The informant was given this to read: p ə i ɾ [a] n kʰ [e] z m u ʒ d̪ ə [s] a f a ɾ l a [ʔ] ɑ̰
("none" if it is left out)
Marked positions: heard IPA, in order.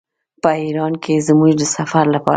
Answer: ɑ, e, s, p

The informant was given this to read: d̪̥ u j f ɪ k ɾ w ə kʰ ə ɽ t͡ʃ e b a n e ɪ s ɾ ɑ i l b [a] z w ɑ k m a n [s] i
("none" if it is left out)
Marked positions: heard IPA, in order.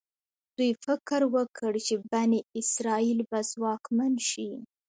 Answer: a, ʃ

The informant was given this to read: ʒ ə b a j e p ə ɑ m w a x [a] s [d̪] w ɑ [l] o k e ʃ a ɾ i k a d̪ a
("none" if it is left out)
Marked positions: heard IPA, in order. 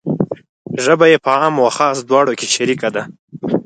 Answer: ɑ, d̪, ɽ

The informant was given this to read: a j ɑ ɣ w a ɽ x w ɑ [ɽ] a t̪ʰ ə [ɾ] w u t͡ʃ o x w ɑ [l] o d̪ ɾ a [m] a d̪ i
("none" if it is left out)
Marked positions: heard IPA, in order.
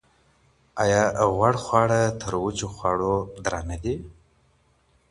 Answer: ɽ, ɾ, ɽ, n

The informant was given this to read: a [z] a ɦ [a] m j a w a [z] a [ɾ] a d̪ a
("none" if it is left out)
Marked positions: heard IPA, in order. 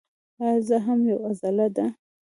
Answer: z, a, z, l

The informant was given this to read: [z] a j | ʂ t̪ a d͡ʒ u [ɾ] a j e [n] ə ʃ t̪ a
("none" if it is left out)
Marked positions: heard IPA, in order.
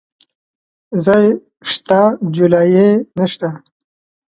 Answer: z, l, n

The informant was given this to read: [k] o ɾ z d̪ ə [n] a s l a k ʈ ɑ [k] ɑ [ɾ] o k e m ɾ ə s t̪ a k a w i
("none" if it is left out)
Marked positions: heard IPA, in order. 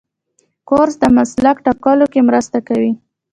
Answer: k, m, k, l

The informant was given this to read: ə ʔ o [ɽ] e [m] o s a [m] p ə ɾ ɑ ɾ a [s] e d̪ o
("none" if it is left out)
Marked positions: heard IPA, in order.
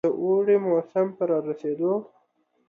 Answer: ɽ, m, m, s

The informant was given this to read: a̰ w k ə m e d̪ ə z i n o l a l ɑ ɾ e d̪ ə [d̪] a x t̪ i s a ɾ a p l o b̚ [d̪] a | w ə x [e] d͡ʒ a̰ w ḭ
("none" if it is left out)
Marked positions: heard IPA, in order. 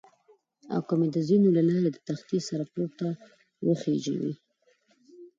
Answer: t̪, t̪, e

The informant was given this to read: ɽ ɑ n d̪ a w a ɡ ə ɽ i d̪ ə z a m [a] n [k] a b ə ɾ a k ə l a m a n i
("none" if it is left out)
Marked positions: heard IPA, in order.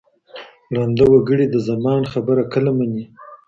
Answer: ɑ, x

